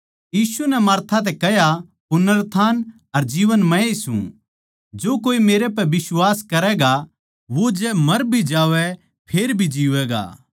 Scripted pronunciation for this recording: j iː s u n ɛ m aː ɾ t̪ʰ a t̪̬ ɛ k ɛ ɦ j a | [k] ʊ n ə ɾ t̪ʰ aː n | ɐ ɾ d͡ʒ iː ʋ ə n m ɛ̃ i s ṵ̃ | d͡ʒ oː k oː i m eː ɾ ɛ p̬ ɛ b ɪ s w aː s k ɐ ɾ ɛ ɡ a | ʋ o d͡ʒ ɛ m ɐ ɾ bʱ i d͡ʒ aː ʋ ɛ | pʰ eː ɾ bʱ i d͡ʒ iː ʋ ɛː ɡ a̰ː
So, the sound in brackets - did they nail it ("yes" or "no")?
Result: no